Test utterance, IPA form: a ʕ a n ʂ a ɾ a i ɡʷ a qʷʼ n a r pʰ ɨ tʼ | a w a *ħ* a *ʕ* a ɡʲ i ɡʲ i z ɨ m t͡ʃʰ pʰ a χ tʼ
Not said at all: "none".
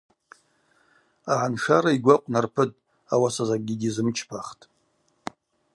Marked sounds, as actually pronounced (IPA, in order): s, z

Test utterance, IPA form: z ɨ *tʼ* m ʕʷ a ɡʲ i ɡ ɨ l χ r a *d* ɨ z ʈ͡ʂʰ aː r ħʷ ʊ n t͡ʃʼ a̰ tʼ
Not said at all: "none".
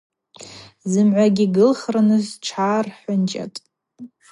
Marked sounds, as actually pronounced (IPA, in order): none, n

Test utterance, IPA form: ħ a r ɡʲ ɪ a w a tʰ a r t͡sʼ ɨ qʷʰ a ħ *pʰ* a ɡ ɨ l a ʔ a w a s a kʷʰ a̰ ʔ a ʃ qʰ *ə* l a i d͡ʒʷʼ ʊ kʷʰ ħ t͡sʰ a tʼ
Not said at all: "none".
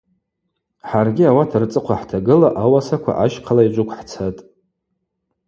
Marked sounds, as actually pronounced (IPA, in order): tʰ, a

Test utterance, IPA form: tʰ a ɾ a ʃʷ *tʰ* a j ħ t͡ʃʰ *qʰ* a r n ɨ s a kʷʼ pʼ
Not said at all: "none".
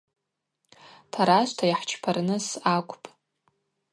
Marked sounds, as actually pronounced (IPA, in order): tʰ, pʰ

